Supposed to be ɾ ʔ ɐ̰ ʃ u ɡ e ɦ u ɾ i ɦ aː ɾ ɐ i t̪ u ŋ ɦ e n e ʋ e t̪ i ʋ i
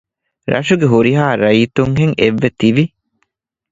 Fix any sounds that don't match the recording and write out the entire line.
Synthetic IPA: ɾ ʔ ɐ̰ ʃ u ɡ e ɦ u ɾ i ɦ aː ɾ ɐ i t̪ u ŋ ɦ e ŋ e ʋː e t̪ i ʋ i